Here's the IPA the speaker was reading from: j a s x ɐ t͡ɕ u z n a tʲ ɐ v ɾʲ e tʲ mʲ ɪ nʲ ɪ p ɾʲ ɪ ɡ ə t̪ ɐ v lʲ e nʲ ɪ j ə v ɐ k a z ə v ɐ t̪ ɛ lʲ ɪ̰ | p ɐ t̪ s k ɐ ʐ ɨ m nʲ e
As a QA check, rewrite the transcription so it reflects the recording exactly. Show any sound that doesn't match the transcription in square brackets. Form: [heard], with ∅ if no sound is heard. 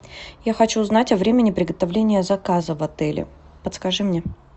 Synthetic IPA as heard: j a [∅] x ɐ t͡ɕ u z n a tʲ ɐ v ɾʲ e [∅] mʲ ɪ nʲ ɪ p ɾʲ ɪ ɡ ə t̪ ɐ v lʲ e nʲ ɪ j ə [z] ɐ k a z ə v ɐ t̪ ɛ lʲ ɪ̰ | p [ə] t̪ s k ɐ ʐ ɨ m nʲ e